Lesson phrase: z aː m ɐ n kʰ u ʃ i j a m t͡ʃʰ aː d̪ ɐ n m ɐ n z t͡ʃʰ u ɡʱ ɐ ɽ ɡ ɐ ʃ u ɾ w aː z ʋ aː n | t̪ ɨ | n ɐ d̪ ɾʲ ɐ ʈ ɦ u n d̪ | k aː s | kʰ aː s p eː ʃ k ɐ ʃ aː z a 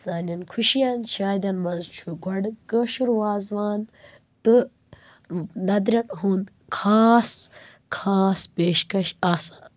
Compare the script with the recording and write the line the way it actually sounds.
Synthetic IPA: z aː n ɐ n kʰ u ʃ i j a n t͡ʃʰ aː d̪ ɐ n m ɐ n z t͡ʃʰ u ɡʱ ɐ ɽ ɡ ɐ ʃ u ɾ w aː z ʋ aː n | t̪ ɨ | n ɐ d̪ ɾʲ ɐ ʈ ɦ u n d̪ | kʰ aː s | kʰ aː s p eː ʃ k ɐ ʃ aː s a